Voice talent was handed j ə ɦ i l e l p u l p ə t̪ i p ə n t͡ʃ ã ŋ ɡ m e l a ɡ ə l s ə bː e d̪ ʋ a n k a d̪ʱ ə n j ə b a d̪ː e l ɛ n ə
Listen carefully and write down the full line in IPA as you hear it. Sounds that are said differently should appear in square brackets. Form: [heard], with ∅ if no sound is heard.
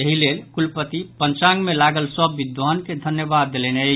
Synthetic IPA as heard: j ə ɦ i l e l [k] u l p ə t̪ i p ə n t͡ʃ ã ŋ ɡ m e l a ɡ ə l s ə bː [i] d̪ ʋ a n k [e] d̪ʱ ə n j ə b a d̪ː e l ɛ n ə